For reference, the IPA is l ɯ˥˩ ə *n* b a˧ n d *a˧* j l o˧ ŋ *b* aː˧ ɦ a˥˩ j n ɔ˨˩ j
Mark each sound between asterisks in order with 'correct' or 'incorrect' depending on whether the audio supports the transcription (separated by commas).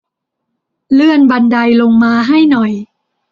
correct, correct, incorrect